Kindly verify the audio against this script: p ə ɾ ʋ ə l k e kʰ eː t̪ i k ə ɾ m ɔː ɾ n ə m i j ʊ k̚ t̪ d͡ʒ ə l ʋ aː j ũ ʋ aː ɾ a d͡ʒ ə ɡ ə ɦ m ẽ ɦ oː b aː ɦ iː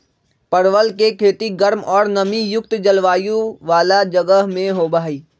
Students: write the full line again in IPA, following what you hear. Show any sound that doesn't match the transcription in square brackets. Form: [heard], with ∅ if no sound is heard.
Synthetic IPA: p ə ɾ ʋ ə l k e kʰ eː t̪ i [ɡ] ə ɾ m ɔː ɾ n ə m i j ʊ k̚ t̪ d͡ʒ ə l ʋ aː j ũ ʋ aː [l] a d͡ʒ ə ɡ ə ɦ m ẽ ɦ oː b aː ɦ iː